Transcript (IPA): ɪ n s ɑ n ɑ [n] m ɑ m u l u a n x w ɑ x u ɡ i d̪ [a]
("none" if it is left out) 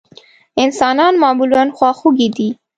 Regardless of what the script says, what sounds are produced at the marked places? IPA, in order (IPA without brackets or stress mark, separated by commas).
n, i